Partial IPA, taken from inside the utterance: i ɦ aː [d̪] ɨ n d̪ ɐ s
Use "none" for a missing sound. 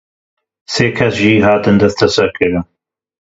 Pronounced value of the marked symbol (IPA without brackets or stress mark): t̪